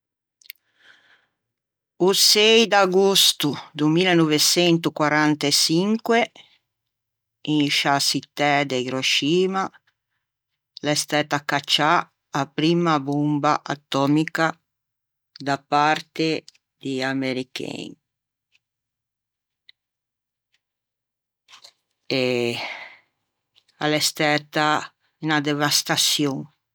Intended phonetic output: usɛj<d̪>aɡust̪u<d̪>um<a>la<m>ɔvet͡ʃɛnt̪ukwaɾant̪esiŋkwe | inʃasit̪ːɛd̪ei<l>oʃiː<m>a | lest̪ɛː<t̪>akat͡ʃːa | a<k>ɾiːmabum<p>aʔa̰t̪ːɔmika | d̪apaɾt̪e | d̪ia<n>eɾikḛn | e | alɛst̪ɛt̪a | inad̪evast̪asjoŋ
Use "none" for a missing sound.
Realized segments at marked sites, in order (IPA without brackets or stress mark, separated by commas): d̪, d̪, i, n, ɾ, m, t̪, p, b, m